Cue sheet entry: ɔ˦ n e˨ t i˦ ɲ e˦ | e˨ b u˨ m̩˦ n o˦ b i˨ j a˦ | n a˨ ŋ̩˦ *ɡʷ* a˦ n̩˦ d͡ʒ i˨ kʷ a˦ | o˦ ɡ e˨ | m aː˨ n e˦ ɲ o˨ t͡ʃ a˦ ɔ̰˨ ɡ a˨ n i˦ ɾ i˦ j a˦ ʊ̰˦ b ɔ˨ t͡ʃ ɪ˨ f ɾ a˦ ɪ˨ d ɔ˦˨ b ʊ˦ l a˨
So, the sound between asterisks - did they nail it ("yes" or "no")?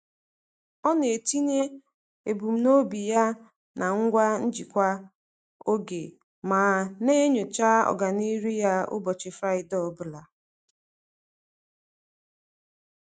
yes